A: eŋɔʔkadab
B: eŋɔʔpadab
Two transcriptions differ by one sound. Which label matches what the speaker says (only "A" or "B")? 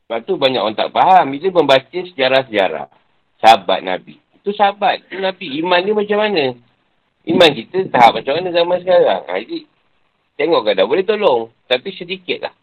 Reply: A